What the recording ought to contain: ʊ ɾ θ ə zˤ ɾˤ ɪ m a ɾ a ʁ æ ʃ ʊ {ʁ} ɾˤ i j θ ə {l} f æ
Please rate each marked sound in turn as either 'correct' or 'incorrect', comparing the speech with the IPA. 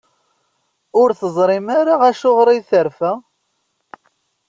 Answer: correct, incorrect

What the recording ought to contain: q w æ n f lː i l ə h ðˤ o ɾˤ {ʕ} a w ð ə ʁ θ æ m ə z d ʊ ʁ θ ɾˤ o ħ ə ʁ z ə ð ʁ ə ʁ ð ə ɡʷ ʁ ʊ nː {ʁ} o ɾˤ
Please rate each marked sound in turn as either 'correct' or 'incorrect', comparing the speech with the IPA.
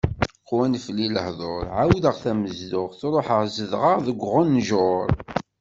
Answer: correct, incorrect

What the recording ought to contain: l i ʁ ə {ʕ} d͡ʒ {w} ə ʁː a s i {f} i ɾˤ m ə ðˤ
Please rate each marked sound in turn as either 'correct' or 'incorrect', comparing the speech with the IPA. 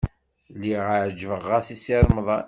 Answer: correct, incorrect, incorrect

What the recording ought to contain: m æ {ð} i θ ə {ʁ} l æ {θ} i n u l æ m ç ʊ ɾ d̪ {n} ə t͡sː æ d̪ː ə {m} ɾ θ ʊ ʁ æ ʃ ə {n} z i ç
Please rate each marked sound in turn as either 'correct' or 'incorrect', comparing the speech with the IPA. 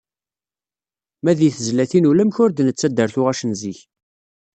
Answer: correct, incorrect, correct, correct, incorrect, correct

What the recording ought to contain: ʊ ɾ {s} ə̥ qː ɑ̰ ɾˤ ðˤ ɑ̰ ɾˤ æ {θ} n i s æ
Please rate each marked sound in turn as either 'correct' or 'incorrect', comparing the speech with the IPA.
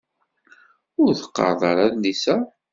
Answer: incorrect, incorrect

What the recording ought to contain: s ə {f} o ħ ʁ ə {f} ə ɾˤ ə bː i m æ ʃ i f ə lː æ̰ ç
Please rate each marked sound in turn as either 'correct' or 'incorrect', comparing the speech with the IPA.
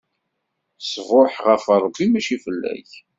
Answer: incorrect, correct

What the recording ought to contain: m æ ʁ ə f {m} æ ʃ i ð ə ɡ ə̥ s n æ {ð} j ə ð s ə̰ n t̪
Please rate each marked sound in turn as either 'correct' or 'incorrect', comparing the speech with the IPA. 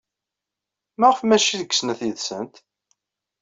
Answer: correct, incorrect

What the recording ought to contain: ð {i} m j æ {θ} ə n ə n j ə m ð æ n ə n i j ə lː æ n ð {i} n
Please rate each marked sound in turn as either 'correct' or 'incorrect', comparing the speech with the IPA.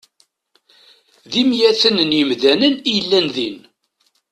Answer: correct, correct, correct

